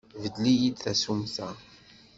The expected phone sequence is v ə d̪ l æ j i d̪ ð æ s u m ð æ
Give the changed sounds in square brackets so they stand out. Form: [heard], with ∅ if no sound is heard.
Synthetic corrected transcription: v ə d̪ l [i] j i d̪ [θ] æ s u m [θ] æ